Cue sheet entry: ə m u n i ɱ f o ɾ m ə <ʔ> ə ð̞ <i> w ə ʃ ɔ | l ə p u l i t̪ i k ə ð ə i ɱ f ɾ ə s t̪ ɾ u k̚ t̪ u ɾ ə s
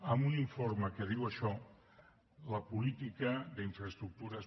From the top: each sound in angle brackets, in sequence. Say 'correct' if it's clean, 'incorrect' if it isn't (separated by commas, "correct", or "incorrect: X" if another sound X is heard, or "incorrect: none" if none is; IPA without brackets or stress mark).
incorrect: k, correct